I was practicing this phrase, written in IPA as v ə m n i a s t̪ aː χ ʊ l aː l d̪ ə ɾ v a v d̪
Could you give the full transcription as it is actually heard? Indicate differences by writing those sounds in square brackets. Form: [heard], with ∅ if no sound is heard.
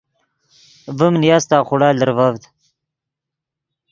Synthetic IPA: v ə m n [j] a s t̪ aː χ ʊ [ɽ] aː l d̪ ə ɾ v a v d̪

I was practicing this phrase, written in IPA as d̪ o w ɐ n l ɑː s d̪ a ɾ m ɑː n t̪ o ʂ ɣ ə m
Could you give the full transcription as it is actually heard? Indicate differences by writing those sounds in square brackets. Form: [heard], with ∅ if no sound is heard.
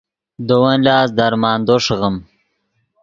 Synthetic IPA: d̪ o w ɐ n l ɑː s d̪ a ɾ m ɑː n [d̪] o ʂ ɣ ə m

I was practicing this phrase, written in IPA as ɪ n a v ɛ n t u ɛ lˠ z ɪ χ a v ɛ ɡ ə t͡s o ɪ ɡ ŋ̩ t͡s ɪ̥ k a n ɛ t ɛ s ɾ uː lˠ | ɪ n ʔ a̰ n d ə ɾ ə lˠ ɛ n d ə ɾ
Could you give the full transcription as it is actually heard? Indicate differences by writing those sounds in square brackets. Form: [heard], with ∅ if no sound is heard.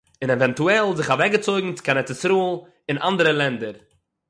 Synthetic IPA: ɪ n [ɛ] v ɛ n t u ɛ lˠ z ɪ χ a v ɛ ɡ ə t͡s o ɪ ɡ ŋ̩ t͡s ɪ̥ k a n ɛ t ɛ s ɾ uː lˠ | ɪ n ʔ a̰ n d ə ɾ ə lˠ ɛ n d ə ɾ

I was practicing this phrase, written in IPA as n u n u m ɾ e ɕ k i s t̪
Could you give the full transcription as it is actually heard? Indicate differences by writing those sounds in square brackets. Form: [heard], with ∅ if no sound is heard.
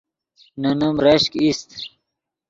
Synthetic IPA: n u n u m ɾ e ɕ k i s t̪

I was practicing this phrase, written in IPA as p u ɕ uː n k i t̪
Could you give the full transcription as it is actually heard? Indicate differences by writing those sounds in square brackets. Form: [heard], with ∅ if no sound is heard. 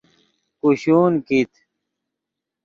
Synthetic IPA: [k] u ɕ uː n k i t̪

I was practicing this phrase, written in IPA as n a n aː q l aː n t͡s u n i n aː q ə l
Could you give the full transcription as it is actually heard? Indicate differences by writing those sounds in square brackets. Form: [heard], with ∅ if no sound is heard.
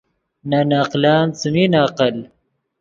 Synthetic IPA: n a n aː q l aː n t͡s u [m] i n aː q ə l

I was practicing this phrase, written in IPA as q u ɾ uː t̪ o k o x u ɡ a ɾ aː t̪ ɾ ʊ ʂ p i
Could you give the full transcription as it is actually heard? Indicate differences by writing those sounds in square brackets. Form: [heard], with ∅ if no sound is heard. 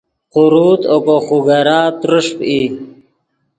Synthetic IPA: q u ɾ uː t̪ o k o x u ɡ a ɾ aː t̪ ɾ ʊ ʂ p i

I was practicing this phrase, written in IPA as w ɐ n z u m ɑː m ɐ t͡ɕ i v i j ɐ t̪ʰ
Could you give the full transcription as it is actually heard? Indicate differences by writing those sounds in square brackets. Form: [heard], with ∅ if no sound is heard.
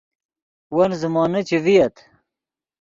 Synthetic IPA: w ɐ n z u m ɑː [n] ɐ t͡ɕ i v i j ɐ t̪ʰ

